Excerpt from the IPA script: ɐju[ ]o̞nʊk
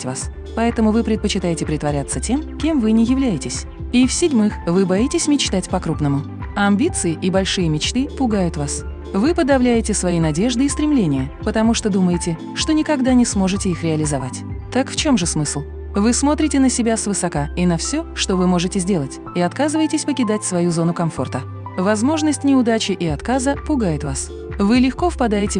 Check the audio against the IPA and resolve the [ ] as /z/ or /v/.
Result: z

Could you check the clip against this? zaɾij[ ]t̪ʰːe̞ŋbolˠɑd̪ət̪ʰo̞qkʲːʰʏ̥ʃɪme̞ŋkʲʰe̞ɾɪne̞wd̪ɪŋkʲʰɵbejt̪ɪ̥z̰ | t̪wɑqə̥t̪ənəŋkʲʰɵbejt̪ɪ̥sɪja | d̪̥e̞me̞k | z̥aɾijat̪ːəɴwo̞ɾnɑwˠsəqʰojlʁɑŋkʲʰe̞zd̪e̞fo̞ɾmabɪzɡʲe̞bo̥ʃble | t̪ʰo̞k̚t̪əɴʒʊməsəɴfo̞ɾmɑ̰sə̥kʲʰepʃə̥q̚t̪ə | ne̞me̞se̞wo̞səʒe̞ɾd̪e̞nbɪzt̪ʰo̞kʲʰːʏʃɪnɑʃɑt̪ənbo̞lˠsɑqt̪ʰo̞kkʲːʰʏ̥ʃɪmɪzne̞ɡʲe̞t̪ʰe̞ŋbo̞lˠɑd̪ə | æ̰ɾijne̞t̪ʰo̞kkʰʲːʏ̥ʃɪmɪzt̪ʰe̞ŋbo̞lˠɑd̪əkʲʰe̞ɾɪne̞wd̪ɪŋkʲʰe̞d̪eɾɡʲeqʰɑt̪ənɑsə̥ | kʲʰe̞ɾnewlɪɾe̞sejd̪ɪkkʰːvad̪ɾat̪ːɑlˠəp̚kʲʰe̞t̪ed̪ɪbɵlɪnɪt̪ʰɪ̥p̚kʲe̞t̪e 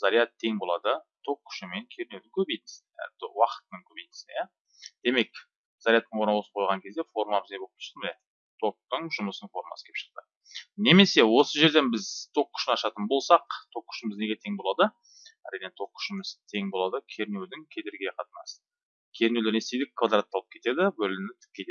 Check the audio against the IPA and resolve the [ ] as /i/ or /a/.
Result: a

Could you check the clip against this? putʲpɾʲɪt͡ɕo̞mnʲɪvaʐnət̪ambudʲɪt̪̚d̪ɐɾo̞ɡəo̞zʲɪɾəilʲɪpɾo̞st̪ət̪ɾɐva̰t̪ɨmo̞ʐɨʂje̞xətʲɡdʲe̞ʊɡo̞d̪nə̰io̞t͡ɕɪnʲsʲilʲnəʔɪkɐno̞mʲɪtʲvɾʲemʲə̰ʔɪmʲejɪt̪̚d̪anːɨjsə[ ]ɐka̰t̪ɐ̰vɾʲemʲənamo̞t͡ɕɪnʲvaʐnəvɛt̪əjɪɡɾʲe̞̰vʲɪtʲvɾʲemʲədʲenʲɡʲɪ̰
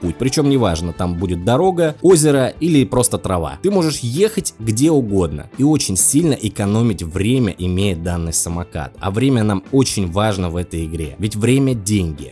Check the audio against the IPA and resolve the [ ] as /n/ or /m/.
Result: m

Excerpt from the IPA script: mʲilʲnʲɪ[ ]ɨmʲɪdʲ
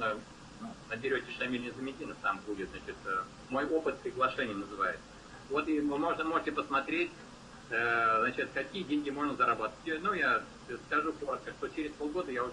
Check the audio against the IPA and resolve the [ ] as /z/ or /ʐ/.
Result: z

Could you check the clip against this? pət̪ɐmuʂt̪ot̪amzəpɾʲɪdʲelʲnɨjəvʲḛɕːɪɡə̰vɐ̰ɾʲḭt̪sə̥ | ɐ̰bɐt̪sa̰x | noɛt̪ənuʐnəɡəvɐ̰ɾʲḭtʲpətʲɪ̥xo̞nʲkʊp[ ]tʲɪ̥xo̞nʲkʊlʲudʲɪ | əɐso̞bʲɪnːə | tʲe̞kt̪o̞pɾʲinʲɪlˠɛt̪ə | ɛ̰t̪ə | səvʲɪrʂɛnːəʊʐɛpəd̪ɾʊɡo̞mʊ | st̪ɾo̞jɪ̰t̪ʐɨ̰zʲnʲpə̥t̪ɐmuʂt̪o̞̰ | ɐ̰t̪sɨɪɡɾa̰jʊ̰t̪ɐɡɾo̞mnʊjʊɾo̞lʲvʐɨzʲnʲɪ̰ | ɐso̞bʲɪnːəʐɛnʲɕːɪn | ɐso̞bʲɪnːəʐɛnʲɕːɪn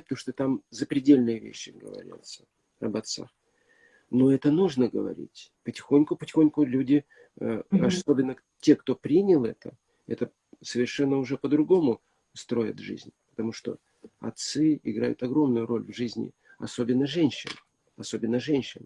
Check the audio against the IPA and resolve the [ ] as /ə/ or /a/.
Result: ə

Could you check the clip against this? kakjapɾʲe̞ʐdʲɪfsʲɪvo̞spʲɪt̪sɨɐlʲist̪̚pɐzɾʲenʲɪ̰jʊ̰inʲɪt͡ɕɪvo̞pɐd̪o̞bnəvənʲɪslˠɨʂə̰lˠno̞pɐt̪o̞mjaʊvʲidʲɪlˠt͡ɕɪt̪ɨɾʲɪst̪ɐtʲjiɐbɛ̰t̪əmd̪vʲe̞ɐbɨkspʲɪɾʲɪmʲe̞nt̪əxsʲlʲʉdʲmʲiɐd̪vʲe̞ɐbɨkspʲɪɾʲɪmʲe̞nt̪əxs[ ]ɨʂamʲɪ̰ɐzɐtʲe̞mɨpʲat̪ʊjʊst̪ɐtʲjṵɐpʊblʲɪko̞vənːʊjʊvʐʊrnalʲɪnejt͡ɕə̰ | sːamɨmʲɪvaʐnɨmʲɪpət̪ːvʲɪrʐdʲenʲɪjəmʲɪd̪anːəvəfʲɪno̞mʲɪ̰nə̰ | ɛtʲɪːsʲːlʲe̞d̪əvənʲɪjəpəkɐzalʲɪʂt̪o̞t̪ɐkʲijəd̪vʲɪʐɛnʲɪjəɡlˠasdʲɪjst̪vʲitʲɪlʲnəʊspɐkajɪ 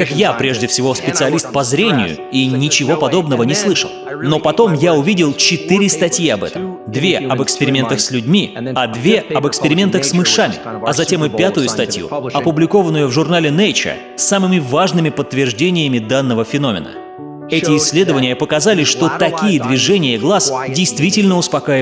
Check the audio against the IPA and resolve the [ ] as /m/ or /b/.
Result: m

